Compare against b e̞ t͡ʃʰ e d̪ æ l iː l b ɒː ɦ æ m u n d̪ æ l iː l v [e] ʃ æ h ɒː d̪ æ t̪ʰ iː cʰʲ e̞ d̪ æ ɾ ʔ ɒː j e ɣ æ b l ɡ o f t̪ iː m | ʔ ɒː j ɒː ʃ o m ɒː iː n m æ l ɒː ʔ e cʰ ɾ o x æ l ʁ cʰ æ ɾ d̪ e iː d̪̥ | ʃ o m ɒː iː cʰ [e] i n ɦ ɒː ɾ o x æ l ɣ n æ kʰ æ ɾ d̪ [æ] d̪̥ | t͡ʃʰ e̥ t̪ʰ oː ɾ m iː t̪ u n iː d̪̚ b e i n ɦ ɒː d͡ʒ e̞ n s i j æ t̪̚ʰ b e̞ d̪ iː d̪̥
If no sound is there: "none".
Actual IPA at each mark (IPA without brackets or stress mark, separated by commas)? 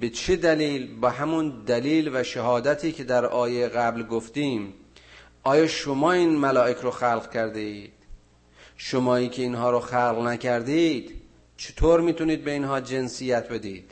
æ, e, i